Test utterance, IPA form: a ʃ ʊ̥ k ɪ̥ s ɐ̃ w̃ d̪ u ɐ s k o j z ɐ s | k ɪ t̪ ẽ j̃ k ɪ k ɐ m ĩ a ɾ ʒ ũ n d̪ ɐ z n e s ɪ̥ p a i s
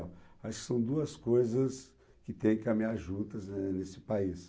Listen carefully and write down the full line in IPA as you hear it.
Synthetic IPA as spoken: a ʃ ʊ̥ k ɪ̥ s ɐ̃ w̃ d̪ u ɐ s k o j z ɐ s | k ɪ t̪ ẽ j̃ k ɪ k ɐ m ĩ a ɾ ʒ ũ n t̪ ɐ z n e s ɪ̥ p a i s